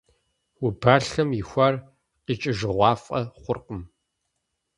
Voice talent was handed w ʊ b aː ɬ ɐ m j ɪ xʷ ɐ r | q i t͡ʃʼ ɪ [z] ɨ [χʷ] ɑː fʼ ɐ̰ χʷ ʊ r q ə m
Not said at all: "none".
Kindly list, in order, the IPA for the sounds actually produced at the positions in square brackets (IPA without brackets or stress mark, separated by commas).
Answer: ʒ, ʁʷ